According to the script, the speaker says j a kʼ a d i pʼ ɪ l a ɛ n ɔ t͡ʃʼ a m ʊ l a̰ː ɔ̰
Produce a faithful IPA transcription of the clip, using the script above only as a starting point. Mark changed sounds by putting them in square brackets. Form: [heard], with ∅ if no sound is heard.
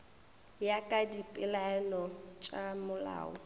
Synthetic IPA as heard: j a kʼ a d i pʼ ɪ l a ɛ n ɔ t͡ʃʼ a m ʊ l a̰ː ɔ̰